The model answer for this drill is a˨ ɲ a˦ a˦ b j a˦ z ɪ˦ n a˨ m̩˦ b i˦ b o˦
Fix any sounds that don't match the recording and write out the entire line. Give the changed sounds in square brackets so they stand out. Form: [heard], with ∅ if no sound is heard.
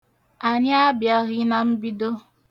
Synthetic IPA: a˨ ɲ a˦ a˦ b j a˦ [ɣ] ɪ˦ n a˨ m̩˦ b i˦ [d] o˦